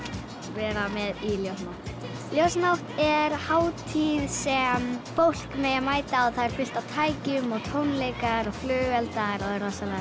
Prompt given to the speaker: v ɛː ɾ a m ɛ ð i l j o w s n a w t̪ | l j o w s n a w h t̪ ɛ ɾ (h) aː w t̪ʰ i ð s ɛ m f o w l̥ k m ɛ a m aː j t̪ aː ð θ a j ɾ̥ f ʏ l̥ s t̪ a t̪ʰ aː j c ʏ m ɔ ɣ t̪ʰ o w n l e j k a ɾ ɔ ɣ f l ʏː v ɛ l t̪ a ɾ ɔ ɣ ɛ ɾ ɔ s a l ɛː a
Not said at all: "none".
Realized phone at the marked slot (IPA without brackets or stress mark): h